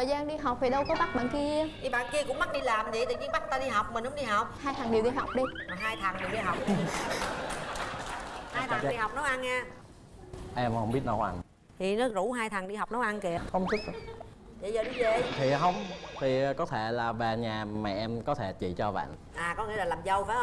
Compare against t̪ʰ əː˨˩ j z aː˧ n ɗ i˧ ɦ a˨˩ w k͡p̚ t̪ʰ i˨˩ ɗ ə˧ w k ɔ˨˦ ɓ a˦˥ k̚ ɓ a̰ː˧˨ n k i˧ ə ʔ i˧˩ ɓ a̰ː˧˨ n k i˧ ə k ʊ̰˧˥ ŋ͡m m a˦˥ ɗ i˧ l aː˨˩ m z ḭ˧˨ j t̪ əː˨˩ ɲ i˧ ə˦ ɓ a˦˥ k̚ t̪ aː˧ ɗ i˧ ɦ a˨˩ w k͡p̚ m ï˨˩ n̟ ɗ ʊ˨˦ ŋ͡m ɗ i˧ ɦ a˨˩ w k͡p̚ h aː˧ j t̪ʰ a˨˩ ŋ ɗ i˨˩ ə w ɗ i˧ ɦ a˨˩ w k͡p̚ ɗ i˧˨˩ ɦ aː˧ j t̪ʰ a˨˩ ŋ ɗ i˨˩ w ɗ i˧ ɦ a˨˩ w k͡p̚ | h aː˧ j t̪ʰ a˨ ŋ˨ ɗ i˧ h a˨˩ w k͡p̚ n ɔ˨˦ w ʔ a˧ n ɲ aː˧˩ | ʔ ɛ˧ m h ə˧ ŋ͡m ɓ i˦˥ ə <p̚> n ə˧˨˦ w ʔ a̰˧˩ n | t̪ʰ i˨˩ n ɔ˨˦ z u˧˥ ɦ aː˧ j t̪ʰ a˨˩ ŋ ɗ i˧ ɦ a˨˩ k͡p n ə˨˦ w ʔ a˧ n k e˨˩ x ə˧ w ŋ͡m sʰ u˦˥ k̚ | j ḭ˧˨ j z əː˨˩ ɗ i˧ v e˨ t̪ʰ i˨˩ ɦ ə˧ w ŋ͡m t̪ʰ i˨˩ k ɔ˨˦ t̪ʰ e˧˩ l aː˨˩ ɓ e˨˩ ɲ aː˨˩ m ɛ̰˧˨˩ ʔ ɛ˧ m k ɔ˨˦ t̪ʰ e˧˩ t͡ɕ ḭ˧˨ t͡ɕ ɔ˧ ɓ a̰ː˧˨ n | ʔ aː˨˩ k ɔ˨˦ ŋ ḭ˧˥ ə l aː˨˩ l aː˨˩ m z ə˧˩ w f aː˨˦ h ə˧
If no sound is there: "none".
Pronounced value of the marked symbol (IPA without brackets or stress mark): t̚